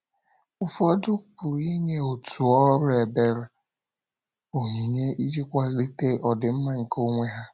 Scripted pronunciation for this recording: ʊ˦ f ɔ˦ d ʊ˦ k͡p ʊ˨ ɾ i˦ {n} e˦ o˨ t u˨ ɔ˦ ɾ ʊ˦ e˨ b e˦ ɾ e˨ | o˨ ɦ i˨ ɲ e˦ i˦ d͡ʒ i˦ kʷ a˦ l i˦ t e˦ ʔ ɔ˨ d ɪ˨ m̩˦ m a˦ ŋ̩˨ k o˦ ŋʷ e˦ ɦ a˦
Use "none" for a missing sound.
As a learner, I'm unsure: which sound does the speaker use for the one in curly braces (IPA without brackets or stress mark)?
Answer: ɲ